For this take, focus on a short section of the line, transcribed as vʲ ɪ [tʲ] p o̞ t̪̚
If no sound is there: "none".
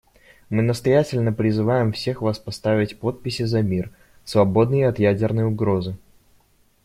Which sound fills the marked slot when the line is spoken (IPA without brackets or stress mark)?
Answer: tʲ